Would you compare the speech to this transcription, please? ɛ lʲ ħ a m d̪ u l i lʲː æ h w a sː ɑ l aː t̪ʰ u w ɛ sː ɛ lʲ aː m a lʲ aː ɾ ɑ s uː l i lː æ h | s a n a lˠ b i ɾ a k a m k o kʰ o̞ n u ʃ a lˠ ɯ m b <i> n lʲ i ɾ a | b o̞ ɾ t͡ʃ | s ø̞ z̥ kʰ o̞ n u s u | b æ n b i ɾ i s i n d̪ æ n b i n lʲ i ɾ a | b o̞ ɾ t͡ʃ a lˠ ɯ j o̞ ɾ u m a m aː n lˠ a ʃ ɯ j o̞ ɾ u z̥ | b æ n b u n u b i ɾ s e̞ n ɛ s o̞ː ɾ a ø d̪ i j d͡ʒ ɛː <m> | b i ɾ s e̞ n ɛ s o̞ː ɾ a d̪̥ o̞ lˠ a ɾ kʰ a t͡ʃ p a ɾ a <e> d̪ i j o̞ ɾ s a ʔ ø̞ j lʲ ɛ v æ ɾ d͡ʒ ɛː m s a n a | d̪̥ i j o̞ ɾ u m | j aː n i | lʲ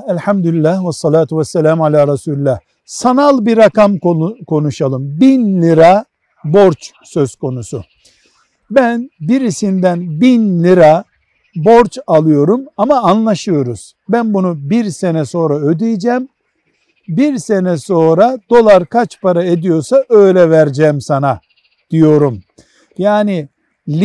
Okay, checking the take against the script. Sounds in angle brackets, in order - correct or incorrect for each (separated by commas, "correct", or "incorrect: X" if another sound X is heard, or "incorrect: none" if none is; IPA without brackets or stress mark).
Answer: correct, correct, correct